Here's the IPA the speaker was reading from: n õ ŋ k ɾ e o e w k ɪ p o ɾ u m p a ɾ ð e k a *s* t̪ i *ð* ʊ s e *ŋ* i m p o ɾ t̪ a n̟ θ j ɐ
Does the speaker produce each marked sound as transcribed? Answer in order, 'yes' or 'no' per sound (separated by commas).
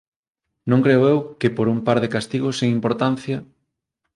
yes, no, yes